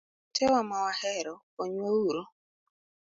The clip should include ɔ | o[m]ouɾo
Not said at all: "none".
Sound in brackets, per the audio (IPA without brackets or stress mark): ɲ